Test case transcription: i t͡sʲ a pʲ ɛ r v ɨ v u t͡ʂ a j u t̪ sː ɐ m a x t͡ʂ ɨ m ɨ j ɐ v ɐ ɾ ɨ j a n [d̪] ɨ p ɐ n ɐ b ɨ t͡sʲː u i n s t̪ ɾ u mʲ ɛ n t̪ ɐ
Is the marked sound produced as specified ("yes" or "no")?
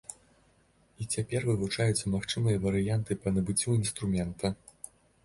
no